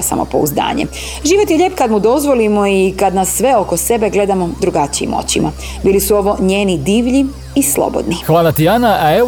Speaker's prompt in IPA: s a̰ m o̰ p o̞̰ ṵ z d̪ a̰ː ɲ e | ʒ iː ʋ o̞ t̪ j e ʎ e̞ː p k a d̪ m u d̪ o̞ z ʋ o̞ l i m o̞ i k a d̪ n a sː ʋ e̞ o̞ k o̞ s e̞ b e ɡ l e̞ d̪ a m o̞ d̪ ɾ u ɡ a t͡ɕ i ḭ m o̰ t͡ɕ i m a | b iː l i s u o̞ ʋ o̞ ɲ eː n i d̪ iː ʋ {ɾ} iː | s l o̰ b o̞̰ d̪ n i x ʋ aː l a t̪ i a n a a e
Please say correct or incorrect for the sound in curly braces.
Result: incorrect